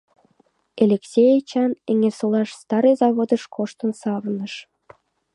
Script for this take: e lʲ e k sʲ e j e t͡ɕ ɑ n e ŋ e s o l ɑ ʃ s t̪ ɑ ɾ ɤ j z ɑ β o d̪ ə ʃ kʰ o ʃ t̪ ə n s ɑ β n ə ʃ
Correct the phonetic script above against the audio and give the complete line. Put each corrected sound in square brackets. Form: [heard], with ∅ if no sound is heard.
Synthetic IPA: e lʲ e k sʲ e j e t͡ɕ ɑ n e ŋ e s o l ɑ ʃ s t̪ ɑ ɾ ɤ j z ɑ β o d̪ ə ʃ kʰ o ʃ t̪ ə n s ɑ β n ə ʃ

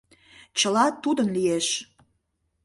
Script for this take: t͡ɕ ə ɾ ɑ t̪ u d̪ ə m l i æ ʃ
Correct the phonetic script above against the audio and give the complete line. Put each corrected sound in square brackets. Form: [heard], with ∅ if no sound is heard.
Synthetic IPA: t͡ɕ ə [l] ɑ t̪ u d̪ ə [n] l i [e] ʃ

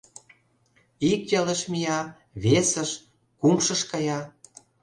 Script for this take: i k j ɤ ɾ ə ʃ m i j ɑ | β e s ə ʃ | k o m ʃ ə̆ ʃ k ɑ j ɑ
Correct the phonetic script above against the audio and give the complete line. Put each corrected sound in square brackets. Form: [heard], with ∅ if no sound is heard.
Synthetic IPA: i k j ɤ [l] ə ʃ m i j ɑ | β e s ə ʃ | k [u] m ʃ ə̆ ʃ k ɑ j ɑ

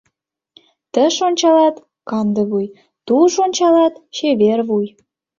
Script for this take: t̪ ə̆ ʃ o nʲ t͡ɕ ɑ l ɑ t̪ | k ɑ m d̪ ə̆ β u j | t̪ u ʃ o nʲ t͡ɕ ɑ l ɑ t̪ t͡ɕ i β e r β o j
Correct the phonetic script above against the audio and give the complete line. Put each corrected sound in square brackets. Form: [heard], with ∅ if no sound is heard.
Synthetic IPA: t̪ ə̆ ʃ o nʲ t͡ɕ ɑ l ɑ t̪ | k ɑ [n] d̪ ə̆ β u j | t̪ u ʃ o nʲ t͡ɕ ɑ l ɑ t̪ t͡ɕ [e] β e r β [u] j

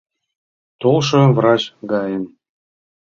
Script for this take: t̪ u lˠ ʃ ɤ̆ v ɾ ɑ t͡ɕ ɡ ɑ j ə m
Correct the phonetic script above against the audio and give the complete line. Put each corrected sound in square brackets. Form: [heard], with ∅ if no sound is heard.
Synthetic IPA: t̪ [o] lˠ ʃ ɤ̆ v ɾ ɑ t͡ɕ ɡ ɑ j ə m

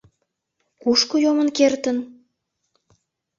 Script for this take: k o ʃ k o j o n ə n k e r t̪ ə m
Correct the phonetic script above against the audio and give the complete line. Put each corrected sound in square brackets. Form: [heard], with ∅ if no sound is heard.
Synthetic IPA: k [u] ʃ k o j o [m] ə n k e r t̪ ə [n]

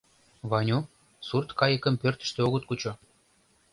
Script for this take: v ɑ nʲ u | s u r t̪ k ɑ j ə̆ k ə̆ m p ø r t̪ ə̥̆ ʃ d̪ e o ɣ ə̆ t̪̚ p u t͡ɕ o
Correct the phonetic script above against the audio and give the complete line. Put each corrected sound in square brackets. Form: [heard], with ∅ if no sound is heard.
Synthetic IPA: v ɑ nʲ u | s u r t̪ k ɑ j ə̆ k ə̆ m p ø r t̪ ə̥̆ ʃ [t̪] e o ɣ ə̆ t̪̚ [k] u t͡ɕ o

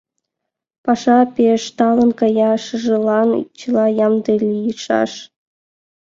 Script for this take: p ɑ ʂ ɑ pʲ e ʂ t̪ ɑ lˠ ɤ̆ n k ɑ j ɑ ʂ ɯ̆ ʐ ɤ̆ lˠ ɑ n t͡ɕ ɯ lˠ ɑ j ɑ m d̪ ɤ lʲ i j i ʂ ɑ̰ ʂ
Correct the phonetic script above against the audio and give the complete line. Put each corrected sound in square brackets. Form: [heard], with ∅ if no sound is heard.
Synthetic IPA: p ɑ ʂ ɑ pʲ e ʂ t̪ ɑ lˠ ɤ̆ n k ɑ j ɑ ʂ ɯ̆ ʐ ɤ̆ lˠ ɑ n t͡ɕ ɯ lˠ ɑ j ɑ m d̪ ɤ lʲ i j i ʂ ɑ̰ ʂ

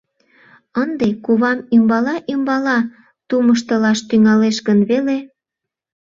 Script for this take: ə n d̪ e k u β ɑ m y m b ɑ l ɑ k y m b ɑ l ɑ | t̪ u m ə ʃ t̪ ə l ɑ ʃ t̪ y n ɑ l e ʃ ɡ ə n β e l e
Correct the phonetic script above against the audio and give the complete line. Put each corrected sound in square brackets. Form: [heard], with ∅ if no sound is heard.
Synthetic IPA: ə n d̪ e k u β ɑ m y m b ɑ l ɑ [ʔ] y m b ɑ l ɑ | t̪ u m ə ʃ t̪ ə l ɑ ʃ t̪ y [ŋ] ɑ l e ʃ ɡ ə n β e l e

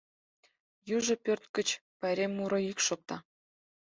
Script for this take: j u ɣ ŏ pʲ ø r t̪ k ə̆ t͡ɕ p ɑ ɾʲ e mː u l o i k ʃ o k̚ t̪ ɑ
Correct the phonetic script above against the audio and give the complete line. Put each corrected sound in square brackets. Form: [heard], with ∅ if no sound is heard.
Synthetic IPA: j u [ʒ] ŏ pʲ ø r t̪ k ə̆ t͡ɕ p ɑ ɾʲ e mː u [ɾ] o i k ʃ o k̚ t̪ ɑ

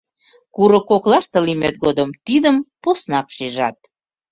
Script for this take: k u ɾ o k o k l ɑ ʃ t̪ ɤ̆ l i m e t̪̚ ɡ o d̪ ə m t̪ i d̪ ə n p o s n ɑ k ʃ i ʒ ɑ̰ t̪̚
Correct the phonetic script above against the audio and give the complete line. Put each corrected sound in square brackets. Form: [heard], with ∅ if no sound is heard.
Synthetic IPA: k u ɾ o k o k l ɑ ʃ t̪ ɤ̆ l i m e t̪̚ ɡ o d̪ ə m t̪ i d̪ ə [m] p o s n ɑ k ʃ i ʒ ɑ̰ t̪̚

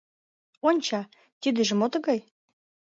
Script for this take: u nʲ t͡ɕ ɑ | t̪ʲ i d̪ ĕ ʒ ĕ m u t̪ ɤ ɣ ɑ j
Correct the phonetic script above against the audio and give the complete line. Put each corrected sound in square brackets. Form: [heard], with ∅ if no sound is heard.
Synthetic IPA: [o] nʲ t͡ɕ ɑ | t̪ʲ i d̪ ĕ ʒ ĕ m [o] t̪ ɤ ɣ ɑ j

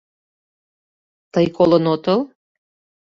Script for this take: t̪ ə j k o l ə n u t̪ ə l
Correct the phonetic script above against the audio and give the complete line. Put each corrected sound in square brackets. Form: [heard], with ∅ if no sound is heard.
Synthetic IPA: t̪ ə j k o l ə n [o] t̪ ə l

